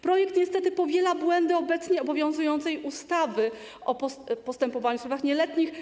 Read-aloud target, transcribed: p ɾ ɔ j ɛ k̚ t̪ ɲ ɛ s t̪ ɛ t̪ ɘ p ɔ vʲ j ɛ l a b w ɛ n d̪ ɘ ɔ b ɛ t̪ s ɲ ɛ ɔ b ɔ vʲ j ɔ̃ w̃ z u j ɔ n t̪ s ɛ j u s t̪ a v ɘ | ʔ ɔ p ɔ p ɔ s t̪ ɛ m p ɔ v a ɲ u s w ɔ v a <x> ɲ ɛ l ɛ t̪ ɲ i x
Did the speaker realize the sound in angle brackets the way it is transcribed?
yes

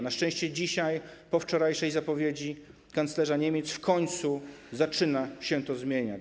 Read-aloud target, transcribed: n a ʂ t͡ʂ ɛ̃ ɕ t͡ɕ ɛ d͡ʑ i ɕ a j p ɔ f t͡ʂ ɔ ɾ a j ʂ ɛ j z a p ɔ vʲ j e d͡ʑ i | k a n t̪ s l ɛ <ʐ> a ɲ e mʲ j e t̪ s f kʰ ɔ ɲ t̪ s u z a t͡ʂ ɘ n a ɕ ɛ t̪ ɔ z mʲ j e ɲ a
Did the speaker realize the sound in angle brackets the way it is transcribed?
yes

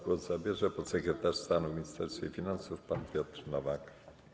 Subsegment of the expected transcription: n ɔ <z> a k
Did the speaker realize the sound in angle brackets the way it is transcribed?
no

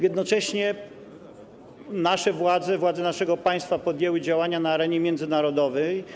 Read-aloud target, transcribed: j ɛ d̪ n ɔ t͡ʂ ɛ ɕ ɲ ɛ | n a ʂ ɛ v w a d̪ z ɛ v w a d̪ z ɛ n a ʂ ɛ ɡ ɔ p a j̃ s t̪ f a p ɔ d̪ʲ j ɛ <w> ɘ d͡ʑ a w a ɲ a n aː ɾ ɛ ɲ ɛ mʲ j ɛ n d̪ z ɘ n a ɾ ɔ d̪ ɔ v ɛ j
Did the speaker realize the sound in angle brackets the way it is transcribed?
yes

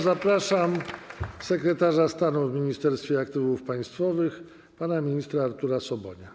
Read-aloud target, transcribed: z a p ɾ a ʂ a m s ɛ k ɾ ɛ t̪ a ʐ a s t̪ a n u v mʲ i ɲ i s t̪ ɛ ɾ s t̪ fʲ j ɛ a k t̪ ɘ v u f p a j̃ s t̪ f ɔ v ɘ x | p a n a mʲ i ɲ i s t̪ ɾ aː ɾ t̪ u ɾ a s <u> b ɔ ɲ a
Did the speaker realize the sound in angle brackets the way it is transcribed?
no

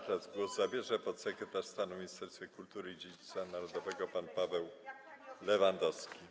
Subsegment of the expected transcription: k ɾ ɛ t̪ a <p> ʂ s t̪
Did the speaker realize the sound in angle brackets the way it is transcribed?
no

